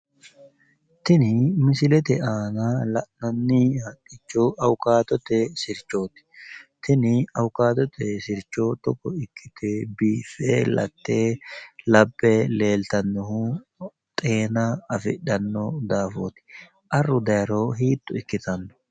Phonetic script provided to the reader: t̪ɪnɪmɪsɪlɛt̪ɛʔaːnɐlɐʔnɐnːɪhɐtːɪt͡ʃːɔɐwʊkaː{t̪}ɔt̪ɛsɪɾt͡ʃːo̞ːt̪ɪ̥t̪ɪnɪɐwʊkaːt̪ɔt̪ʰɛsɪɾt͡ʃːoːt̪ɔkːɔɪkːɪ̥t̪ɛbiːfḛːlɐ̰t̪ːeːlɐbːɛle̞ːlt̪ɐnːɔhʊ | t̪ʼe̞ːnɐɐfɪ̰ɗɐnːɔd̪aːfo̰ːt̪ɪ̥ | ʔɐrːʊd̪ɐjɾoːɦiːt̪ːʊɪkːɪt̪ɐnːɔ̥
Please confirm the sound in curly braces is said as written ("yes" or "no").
yes